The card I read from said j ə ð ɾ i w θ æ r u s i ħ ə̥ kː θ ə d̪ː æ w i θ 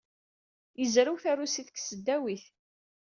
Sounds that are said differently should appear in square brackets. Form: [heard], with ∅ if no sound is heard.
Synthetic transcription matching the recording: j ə [z] ɾ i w θ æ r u s i [θ] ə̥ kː [s] ə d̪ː æ w i θ